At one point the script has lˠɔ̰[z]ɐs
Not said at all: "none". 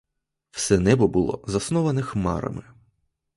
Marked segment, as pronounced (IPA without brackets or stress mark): z